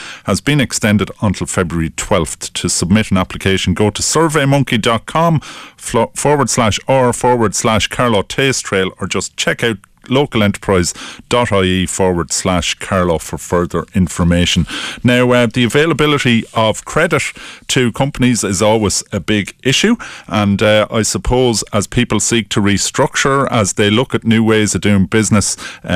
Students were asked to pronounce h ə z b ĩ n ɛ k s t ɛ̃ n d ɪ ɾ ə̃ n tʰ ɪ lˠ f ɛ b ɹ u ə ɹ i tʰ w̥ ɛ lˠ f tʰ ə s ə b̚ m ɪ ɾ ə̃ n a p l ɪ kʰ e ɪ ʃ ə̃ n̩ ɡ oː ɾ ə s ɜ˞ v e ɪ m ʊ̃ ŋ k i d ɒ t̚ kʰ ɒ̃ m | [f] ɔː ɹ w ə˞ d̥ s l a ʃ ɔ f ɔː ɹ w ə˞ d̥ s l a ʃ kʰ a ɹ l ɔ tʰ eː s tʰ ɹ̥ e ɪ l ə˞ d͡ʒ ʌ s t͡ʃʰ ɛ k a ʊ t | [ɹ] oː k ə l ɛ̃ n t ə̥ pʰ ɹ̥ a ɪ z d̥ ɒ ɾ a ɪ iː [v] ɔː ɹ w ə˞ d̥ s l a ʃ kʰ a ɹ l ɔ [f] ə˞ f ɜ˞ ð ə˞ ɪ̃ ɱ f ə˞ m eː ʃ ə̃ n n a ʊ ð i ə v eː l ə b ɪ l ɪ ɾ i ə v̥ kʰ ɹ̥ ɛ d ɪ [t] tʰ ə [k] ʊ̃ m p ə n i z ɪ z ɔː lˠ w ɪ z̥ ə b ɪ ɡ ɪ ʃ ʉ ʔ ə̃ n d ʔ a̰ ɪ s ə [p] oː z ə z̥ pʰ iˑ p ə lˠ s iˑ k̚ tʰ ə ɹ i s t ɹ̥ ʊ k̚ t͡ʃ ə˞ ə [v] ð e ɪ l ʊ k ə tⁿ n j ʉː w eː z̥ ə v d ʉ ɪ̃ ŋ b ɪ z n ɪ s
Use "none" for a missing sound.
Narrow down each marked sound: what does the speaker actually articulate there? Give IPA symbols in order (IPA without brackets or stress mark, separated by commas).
f, l, f, f, t, kʰ, pʰ, z